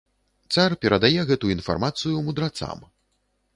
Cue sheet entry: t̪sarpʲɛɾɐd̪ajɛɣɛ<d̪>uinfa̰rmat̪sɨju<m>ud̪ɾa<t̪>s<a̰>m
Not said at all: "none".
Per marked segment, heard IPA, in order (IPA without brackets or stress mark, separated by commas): t̪, m, t̪, a̰